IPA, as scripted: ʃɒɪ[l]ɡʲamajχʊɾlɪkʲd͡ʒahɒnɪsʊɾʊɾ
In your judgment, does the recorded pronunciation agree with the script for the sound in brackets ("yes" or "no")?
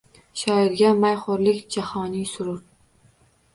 no